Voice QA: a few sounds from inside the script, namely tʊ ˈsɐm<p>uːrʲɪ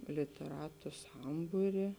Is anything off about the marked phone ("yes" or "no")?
yes